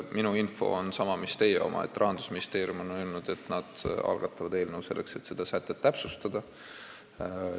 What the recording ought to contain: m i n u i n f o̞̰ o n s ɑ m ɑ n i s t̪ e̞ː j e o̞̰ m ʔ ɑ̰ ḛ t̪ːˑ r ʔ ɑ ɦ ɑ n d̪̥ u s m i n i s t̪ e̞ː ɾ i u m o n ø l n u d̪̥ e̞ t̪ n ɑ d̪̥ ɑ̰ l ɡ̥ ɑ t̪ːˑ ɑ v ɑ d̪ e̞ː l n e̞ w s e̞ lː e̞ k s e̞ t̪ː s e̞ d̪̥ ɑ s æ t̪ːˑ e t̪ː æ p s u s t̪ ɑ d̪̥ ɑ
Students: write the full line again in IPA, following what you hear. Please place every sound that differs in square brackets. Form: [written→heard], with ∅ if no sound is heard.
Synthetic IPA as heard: m i n u i n f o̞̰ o n s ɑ m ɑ [n→m] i s t̪ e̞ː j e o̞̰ m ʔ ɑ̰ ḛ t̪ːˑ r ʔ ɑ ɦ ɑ n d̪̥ u s m i n i s t̪ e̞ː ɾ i u m o n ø l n u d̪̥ e̞ t̪ n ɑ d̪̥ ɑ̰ l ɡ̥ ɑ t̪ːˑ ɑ v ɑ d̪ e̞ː l n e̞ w s e̞ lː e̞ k s e̞ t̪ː s e̞ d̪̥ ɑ s æ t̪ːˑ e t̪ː æ p s u s t̪ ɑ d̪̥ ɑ